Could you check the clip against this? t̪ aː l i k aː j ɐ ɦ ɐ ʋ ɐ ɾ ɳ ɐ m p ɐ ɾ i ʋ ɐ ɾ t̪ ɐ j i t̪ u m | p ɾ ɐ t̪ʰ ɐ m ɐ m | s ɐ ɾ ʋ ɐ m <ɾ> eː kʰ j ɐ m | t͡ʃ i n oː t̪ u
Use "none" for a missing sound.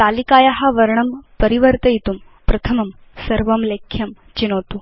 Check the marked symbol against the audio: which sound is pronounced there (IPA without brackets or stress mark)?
l